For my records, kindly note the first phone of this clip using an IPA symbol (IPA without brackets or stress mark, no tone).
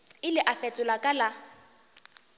ɪ